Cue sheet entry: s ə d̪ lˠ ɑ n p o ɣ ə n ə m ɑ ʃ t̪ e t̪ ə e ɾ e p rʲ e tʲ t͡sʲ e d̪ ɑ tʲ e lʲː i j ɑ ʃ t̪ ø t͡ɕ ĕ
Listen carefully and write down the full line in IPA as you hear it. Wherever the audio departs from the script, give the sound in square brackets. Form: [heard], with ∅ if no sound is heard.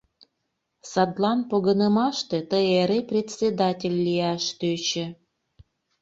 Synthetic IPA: s [ɑ] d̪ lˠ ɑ n p o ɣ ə n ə m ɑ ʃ t̪ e t̪ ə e ɾ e p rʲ e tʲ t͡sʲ e d̪ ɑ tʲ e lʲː i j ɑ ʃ t̪ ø t͡ɕ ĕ